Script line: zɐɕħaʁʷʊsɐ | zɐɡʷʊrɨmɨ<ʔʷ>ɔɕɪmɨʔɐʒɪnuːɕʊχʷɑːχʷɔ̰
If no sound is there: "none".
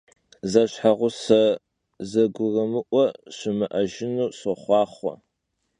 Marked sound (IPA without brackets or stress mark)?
ʔʷ